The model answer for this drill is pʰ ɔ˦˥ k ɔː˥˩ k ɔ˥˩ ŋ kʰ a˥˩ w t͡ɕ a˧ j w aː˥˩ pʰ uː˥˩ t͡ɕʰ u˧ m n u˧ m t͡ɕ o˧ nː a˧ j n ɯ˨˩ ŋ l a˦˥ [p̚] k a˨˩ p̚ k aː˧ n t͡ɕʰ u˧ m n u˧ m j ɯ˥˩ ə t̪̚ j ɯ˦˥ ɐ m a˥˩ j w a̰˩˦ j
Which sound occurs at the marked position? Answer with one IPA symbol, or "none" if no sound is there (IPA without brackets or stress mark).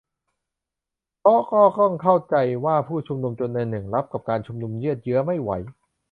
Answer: p̚